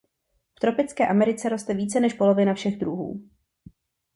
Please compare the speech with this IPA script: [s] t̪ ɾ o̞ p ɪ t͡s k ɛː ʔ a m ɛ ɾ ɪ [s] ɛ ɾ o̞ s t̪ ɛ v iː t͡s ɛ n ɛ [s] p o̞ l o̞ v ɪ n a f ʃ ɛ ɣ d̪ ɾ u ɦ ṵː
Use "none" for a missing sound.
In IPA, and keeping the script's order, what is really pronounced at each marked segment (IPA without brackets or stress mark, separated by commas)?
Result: f, t͡s, ʃ